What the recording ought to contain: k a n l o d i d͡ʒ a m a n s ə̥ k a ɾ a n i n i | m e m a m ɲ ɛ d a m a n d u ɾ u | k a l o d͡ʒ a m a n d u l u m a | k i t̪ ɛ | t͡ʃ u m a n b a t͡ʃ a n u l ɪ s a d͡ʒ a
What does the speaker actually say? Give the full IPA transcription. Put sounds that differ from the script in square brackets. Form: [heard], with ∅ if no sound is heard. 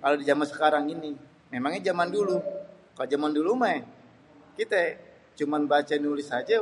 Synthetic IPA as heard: k a [∅] l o d i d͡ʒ a m a n s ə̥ k a ɾ a [ŋ] i n i | m e m a [ŋ] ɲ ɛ [d͡ʒ] a m a n d u [l] u | k a l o d͡ʒ a m a n d u l u m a | k i t̪ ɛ | t͡ʃ u m a n b a t͡ʃ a n u l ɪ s a d͡ʒ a

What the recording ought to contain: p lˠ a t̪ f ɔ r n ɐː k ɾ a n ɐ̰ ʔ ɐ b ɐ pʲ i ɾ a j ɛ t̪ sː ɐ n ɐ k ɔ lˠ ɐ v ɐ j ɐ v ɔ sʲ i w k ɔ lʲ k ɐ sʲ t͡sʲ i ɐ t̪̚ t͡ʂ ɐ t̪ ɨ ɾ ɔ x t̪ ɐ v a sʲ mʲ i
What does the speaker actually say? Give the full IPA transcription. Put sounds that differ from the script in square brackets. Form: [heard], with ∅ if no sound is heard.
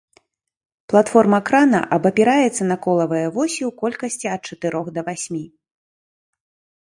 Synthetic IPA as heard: p lˠ a t̪ f ɔ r [m] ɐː k ɾ a n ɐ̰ ʔ ɐ b ɐ pʲ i ɾ a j ɛ t̪ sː ɐ n ɐ k ɔ lˠ ɐ v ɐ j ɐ v ɔ sʲ i w k ɔ lʲ k ɐ sʲ t͡sʲ i ɐ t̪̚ t͡ʂ ɐ t̪ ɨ ɾ ɔ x [d̪] ɐ v a sʲ mʲ i

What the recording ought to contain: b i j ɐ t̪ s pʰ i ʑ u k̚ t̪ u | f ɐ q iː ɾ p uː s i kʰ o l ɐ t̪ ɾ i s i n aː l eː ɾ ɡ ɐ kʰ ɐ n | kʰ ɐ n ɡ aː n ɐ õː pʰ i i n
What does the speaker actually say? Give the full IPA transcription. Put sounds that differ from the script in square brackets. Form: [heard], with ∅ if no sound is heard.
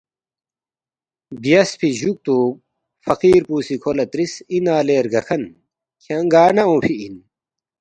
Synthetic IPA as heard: b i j ɐ [∅] s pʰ i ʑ u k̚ t̪ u | f ɐ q iː ɾ p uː s i kʰ o l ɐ t̪ ɾ i s i n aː l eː ɾ ɡ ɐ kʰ ɐ n | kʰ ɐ [ŋ] ɡ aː n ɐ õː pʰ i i n

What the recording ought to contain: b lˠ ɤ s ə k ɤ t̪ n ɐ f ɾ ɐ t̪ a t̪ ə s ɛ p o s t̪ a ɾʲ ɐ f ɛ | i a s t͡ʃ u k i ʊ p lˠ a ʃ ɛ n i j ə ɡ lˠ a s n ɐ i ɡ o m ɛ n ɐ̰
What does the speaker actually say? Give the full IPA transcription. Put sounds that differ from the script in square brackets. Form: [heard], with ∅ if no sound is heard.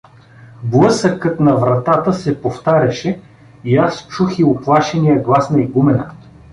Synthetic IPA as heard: b lˠ ɤ s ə k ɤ t̪ n ɐ [v] ɾ ɐ t̪ a t̪ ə s ɛ p o [f] t̪ a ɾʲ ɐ [ʃ] ɛ | i a s t͡ʃ u [x] i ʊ p lˠ a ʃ ɛ n i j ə ɡ lˠ a s n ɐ i ɡ [u] m ɛ n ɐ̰

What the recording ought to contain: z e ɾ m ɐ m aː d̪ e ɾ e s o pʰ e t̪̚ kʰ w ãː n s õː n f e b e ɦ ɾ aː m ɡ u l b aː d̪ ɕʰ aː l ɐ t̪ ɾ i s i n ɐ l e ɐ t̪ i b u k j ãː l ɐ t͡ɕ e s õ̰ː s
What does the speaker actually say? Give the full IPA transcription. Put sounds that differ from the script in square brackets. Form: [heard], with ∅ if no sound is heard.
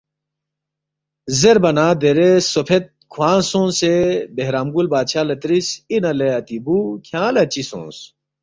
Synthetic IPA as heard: z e ɾ [b] ɐ [n] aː d̪ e ɾ e s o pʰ e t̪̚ kʰ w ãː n s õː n [s] e b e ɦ ɾ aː m ɡ u l b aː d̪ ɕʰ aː l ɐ t̪ ɾ i s i n ɐ l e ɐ t̪ i b u [kʰ] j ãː l ɐ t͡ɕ [i] s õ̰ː s

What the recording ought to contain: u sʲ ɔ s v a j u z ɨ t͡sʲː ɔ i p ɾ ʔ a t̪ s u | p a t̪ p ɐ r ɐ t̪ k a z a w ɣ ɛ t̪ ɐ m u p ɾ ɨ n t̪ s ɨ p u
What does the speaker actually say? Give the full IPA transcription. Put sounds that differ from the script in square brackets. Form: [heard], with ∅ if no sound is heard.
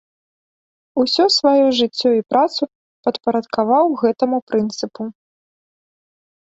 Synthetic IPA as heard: u sʲ ɔ s v a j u [ʐ] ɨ t͡sʲː ɔ i p ɾ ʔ a t̪ s u | p [ɐ] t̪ p ɐ [ɾ] ɐ t̪ k a [v] a w ɣ ɛ t̪ ɐ m u p ɾ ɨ n t̪ s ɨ p u

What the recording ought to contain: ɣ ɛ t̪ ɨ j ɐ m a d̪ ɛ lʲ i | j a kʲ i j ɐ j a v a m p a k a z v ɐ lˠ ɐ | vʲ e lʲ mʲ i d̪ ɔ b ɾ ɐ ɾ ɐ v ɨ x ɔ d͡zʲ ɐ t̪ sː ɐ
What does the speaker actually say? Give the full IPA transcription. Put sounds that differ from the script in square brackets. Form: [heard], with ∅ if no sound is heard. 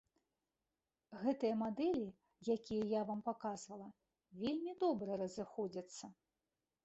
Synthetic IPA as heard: ɣ ɛ t̪ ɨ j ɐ m a d̪ ɛ lʲ i | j a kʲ i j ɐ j a v a m p a k a z v ɐ lˠ ɐ | vʲ e lʲ mʲ i d̪ ɔ b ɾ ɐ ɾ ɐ [z] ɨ x ɔ d͡zʲ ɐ t̪ sː ɐ

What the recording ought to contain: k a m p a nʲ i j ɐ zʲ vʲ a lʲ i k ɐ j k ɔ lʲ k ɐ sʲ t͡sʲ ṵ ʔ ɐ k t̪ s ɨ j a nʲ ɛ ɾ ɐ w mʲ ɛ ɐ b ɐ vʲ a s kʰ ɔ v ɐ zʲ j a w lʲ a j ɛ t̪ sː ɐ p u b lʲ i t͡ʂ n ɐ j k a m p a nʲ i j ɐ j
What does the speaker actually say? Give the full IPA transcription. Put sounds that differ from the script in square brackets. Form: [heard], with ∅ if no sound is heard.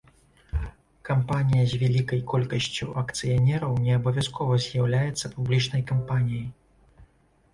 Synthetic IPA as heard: k a m p a nʲ i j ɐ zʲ vʲ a lʲ i k ɐ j k ɔ lʲ k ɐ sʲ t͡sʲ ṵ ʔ ɐ k t̪ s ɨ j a nʲ ɛ ɾ ɐ w [nʲ] ɛ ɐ b ɐ vʲ a s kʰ ɔ v ɐ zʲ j a w lʲ a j ɛ t̪ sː ɐ p u b lʲ i t͡ʂ n ɐ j k a m p a nʲ i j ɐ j

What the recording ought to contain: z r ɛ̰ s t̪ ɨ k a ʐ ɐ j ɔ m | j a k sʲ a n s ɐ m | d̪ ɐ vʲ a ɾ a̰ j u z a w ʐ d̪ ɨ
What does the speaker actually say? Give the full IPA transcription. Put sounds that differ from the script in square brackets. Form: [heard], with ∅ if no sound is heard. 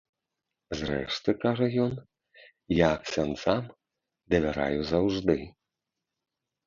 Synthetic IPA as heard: z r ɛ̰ [ʂ] t̪ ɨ k a ʐ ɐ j ɔ [n] | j a k sʲ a n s [a] m | d̪ ɐ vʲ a ɾ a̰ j u z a w ʐ d̪ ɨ

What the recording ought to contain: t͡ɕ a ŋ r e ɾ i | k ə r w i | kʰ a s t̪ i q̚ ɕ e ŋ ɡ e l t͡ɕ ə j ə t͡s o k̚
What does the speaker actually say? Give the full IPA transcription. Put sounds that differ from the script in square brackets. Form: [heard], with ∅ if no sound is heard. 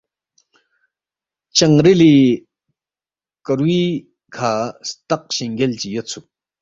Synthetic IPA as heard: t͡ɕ a ŋ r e [l] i | k ə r w i | kʰ a s t̪ [a] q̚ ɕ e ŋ ɡ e l t͡ɕ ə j ə [t͡sʰ] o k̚

